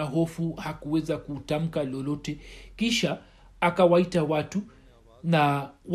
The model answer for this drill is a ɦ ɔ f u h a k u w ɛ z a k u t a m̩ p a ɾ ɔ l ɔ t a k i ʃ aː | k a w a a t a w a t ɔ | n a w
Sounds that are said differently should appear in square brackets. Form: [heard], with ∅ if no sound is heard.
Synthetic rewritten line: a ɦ ɔ f u h a k u w ɛ z a k u t a m̩ [k] a [l] ɔ l ɔ t [ɛ] k i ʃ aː | k a w a [i] t a w a t [u] | n a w